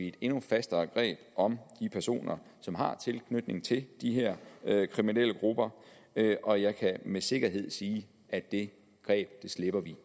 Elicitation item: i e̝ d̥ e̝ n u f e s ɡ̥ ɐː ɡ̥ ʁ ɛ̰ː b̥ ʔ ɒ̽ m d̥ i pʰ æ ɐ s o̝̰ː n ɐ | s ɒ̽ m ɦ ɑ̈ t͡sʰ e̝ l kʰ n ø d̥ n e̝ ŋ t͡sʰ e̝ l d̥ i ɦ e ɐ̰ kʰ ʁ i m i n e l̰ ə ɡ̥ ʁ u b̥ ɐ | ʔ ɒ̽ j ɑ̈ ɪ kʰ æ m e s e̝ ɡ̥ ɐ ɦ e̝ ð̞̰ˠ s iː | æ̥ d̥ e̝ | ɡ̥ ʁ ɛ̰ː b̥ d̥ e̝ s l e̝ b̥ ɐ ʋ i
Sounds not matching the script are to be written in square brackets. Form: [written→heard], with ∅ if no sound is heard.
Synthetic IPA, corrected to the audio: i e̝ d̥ e̝ n u f [e→æ] s [ɡ̥→d̥] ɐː ɡ̥ ʁ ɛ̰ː b̥ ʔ ɒ̽ m d̥ i pʰ æ ɐ s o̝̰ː n ɐ | s ɒ̽ m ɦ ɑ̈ t͡sʰ e̝ l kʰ n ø d̥ n e̝ ŋ t͡sʰ e̝ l d̥ i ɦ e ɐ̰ kʰ ʁ i m i n e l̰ ə ɡ̥ ʁ u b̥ ɐ | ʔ ɒ̽ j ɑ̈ ɪ kʰ æ m e s e̝ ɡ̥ ɐ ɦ e̝ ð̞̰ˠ s iː | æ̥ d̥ e̝ | ɡ̥ ʁ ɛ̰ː b̥ d̥ e̝ s l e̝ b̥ ɐ ʋ i